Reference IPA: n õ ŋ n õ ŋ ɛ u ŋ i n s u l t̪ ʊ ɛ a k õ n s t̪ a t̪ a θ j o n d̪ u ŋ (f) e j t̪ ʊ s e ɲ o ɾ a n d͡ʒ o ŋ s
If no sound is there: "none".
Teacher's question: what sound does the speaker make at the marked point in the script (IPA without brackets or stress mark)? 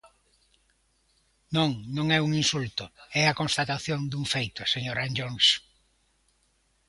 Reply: f